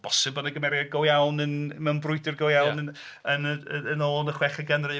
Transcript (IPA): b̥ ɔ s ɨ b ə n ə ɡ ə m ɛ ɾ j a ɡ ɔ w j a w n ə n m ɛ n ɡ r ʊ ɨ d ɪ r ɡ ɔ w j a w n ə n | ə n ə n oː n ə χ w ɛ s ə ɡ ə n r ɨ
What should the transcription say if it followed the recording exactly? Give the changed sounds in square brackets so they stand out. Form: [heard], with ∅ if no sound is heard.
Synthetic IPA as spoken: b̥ ɔ s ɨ b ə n ə ɡ ə m ɛ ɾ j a ɡ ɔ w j a w n ə n m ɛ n [b] r ʊ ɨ d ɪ r ɡ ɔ w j a w n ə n | ə n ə n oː n ə χ w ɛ [χ] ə ɡ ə n r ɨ